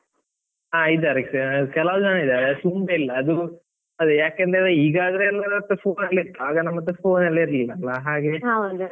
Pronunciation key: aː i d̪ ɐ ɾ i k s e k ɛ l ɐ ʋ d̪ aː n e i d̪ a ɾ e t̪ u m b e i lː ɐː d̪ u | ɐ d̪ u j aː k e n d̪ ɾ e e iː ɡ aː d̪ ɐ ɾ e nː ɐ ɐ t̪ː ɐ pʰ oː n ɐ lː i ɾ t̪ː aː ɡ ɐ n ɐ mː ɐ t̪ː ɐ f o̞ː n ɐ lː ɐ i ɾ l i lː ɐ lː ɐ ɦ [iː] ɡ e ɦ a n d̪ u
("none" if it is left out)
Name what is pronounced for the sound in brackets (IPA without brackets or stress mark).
aː